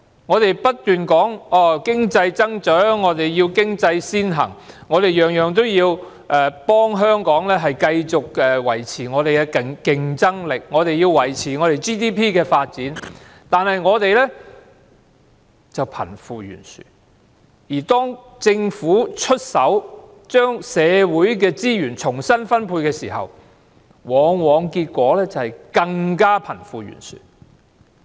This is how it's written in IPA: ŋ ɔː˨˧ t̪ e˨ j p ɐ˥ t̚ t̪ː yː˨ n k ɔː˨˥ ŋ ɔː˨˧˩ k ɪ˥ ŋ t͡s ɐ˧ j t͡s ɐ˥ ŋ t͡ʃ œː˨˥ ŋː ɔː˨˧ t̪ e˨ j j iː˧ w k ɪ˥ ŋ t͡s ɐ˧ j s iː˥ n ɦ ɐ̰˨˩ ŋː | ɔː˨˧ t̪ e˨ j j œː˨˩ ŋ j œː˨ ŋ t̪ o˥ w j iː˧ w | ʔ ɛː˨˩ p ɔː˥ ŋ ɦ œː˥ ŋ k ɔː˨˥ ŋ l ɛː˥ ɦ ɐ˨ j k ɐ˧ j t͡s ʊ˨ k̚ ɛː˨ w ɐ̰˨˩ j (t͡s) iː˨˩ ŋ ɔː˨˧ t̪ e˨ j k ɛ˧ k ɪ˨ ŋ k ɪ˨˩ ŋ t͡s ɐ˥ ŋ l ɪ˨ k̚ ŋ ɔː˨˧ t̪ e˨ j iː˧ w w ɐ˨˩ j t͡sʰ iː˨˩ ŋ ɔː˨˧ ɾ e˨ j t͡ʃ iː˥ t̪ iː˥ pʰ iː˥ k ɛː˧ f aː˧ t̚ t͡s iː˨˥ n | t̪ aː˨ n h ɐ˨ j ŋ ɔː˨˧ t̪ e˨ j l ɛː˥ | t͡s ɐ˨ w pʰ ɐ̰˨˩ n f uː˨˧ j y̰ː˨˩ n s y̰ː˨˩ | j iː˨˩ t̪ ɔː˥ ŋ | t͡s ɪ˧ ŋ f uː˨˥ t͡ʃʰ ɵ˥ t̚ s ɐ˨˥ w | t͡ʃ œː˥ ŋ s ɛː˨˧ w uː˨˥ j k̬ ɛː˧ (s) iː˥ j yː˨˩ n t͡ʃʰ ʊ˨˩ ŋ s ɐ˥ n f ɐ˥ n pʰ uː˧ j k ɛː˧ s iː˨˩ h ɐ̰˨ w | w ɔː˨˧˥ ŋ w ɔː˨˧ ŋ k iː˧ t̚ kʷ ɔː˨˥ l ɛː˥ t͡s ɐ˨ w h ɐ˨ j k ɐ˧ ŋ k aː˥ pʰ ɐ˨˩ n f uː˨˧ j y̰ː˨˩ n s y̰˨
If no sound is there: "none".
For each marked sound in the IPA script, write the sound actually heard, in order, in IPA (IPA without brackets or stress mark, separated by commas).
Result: t͡sʰ, t͡s